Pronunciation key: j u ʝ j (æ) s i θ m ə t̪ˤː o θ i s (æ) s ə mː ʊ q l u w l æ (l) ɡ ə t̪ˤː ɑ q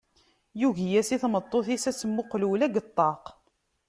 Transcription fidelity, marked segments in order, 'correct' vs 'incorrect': correct, correct, incorrect: none

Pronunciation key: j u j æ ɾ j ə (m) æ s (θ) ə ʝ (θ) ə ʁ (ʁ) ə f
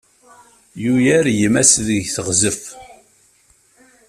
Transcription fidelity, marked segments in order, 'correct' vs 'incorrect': correct, incorrect: ð, correct, incorrect: z

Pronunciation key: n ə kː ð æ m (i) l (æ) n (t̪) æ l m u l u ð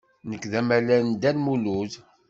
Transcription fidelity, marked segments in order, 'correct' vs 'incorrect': incorrect: æ, correct, incorrect: d̪

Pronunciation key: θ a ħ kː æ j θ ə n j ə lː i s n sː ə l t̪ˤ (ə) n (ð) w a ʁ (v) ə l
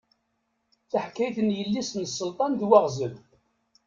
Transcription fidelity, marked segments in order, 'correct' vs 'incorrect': incorrect: ɑ, correct, incorrect: z

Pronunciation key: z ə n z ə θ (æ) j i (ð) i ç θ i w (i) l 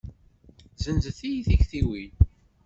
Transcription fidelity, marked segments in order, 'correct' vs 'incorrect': incorrect: i, incorrect: θ, correct

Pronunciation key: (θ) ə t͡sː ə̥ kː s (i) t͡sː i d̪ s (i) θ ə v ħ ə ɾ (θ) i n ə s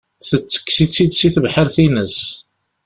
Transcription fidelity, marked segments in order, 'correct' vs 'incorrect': correct, correct, correct, correct

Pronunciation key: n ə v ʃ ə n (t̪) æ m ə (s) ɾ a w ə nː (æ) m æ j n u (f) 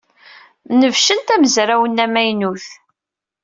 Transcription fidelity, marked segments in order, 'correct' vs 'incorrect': correct, incorrect: z, correct, incorrect: θ

